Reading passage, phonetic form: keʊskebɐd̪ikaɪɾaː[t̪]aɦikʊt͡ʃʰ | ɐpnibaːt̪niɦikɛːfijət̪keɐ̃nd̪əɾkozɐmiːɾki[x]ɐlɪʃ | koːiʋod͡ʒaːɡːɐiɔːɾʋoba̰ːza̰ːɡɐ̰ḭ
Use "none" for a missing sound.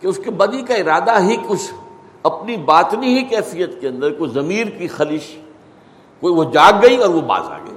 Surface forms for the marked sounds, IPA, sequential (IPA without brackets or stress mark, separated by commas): d̪, x